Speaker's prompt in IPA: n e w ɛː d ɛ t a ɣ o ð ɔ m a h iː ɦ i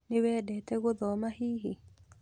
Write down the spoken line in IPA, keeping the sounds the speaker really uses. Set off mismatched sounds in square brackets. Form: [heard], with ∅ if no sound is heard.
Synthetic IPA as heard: n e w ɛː d ɛ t [ɛ] ɣ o ð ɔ m a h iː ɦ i